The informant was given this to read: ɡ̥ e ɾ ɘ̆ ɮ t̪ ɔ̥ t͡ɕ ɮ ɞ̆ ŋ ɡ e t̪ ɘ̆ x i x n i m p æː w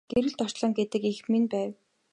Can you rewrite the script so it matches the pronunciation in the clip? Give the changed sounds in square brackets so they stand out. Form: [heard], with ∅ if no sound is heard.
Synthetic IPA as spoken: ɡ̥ e ɾ ɘ̆ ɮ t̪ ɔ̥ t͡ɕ ɮ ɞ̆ ŋ ɡ e t̪ ɘ̆ [k] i x [m] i [n] p æː w